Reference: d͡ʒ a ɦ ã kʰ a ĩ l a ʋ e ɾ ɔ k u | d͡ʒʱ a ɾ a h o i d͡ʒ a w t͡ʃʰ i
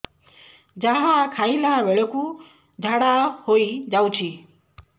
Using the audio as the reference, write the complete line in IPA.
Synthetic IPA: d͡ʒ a ɦ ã kʰ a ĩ l a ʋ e ɭ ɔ k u | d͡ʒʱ a ɽ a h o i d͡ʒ a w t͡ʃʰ i